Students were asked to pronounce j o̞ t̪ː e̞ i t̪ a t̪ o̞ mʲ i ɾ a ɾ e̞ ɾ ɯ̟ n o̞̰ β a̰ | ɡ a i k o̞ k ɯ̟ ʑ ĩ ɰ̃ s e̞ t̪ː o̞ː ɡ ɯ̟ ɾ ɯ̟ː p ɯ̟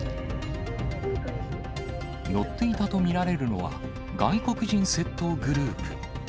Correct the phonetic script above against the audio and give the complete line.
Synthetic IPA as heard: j o̞ t̪ː e̞ i t̪ a t̪ o̞ mʲ i ɾ a ɾ e̞ ɾ ɯ̟ n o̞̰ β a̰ | ɡ a i k o̞ k ɯ̟ ʑ ĩ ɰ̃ s e̞ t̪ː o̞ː ɡ ɯ̟ ɾ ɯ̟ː p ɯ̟